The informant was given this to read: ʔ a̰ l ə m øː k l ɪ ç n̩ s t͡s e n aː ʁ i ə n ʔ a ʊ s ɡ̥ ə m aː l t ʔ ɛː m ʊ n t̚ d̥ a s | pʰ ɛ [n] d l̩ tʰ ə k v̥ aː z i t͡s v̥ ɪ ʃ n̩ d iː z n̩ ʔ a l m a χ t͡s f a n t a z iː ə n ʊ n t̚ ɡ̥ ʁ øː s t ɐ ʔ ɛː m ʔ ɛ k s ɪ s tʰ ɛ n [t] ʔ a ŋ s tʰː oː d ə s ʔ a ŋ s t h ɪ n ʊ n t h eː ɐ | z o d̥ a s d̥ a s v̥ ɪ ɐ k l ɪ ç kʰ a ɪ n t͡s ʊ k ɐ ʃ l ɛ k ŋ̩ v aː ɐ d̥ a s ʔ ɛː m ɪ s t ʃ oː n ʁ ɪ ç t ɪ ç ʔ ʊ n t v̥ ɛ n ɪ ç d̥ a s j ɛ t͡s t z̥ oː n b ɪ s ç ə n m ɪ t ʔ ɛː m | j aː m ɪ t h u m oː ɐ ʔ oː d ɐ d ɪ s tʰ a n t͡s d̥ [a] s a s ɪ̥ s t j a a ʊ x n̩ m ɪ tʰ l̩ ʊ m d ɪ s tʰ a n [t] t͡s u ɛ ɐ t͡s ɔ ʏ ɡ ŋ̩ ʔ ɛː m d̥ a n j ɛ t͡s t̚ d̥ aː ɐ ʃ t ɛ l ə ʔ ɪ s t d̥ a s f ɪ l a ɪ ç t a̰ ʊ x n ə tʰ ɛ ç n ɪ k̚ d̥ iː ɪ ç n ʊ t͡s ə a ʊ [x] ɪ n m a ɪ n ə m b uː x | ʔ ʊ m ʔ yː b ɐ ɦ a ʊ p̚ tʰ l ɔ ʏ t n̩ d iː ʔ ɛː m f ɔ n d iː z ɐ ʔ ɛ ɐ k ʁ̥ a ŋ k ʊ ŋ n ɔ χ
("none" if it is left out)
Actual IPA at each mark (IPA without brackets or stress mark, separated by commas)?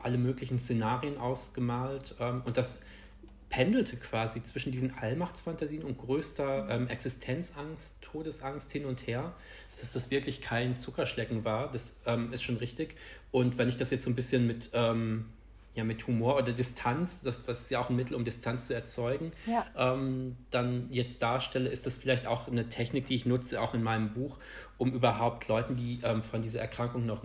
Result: n, t͡s, a, t͡s, x